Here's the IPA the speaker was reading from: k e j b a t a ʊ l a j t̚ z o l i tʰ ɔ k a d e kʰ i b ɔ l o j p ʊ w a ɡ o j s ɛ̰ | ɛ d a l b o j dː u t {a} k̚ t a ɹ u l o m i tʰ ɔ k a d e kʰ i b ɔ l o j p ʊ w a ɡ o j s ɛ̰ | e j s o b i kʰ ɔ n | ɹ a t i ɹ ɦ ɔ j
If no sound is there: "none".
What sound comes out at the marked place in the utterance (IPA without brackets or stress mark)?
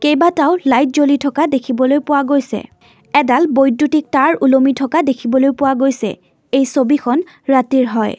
i